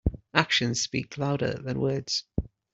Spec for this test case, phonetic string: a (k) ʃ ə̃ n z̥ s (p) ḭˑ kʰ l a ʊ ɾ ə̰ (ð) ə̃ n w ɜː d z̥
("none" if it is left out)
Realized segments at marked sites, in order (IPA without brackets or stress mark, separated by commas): k, p, ð